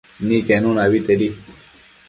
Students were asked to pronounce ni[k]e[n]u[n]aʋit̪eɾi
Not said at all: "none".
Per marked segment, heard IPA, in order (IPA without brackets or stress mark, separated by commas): k, n, n